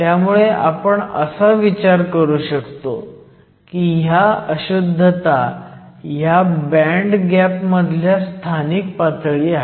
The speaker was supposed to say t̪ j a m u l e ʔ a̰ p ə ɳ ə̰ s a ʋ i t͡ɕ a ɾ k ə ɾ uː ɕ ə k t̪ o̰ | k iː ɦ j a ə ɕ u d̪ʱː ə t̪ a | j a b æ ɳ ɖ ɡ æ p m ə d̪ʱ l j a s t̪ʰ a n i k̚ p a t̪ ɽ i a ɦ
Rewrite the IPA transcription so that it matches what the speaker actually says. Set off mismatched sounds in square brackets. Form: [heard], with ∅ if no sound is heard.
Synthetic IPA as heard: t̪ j a m u [ɭ] e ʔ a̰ p ə ɳ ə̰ s a ʋ i t͡ɕ a ɾ k ə ɾ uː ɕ ə k t̪ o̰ | k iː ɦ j a ə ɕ u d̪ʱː ə t̪ a | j a b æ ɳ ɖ ɡ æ p m ə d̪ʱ l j a s t̪ʰ a n i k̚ p a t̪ [ɭ] i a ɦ